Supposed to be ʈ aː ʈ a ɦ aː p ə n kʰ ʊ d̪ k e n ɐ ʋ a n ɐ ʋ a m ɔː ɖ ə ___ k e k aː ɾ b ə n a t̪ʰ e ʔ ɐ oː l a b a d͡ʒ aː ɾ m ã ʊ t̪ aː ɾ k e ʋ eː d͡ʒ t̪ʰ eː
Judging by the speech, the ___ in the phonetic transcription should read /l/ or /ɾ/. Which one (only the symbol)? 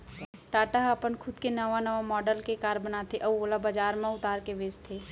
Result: l